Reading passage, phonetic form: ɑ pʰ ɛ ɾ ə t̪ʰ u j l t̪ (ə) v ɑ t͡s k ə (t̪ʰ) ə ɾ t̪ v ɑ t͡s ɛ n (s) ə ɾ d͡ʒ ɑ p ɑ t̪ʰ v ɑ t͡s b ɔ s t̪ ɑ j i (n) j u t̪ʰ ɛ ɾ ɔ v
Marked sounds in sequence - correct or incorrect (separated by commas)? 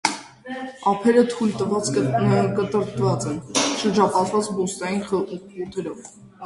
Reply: correct, incorrect, incorrect, correct